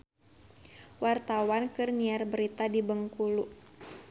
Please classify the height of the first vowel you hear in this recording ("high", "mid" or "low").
low